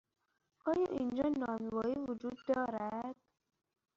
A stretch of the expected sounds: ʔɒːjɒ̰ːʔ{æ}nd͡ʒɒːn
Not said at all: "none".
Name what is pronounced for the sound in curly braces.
i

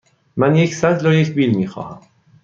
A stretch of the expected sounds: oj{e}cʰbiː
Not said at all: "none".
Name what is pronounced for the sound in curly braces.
e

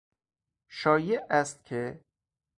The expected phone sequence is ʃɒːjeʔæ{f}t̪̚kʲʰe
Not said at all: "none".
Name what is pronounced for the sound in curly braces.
s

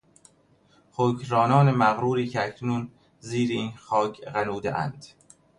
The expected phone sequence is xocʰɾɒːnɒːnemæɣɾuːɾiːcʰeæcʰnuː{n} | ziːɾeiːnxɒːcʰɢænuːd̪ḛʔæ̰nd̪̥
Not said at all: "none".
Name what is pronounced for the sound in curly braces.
n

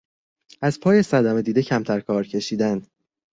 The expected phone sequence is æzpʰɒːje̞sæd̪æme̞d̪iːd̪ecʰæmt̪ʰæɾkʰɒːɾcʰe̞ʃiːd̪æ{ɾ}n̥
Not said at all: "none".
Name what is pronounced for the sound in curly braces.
none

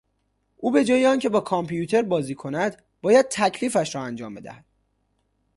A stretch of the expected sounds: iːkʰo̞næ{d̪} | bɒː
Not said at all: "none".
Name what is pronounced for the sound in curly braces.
d̪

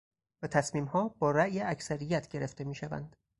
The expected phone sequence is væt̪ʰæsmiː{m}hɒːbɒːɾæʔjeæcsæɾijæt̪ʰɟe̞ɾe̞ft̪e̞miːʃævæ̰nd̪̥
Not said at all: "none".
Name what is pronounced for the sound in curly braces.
m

